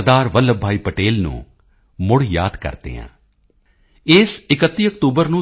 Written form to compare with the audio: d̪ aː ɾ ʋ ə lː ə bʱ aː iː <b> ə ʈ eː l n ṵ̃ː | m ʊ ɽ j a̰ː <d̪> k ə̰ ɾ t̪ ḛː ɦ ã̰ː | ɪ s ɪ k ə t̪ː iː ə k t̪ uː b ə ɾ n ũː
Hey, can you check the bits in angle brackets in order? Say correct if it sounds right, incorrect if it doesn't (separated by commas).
incorrect, correct